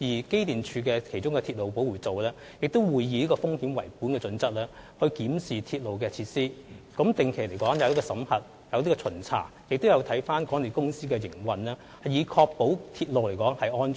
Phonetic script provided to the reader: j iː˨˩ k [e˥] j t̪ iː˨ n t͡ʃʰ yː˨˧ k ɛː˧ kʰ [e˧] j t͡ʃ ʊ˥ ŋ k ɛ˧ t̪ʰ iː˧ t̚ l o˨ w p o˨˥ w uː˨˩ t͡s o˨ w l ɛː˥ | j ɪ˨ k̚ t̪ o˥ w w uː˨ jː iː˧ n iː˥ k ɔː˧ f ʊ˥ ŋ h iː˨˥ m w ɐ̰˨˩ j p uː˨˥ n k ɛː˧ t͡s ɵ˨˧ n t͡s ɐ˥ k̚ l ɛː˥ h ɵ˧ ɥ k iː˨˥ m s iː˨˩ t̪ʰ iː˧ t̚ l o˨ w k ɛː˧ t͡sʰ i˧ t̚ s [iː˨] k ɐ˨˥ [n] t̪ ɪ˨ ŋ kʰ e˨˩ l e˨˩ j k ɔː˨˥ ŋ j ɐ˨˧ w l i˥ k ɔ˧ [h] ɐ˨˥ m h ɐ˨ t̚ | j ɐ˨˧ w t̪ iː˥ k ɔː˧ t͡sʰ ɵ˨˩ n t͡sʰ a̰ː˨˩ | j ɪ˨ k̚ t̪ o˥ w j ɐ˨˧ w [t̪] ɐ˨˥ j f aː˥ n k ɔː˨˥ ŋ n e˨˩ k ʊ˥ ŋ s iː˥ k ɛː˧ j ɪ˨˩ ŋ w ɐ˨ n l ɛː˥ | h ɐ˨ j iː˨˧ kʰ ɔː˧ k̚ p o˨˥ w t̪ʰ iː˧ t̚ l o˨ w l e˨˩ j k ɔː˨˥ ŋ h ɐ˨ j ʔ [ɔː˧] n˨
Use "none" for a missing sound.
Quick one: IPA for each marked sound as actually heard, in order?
e˥, e˨˩, iː˥, m, s, t̪ʰ, ɔː˥

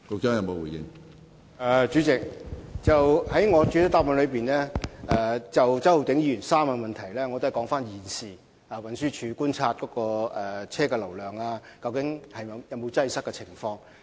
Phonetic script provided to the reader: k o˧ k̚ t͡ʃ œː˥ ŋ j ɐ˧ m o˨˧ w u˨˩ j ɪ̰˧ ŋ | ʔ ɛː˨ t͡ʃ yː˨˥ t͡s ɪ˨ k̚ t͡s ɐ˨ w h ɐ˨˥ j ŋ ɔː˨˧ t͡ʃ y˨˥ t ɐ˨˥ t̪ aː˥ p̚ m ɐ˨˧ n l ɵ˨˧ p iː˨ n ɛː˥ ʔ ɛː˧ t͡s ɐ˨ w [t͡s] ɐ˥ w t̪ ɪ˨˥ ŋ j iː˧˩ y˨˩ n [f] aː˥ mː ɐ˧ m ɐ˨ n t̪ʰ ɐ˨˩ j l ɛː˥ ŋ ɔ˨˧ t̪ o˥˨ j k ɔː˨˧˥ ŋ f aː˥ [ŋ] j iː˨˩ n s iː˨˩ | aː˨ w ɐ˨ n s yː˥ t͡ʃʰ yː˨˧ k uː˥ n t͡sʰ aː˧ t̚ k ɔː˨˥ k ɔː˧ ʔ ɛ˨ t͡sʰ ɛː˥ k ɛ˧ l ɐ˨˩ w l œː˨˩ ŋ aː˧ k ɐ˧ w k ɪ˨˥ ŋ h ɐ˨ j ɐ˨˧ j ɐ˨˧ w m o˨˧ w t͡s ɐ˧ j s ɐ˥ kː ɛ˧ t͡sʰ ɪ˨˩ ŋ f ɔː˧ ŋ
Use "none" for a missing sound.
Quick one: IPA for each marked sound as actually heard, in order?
t͡s, s, n

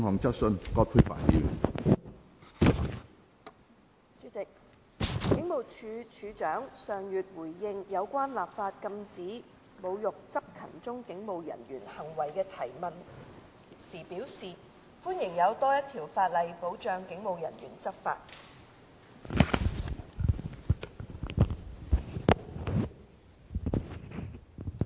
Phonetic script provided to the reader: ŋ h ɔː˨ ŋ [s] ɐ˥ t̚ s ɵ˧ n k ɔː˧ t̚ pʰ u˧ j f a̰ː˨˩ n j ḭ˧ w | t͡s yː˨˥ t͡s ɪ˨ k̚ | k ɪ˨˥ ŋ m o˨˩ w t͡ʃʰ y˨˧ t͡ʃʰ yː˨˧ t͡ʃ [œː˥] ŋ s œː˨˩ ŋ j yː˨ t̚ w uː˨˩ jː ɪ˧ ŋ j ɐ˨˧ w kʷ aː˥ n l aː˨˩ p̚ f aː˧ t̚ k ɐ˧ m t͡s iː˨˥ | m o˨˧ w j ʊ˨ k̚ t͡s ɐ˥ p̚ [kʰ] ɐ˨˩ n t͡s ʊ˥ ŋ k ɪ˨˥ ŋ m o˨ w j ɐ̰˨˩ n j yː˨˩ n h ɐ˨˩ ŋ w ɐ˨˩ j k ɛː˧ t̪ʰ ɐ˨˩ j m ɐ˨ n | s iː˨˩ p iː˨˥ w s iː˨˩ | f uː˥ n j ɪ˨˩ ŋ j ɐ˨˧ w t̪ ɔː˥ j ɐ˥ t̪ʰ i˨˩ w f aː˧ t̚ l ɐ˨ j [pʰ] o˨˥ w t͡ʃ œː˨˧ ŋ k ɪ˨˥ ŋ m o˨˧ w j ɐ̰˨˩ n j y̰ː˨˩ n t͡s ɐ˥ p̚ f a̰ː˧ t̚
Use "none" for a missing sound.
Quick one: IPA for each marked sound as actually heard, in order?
t͡s, œː˨˥, kʰ, p

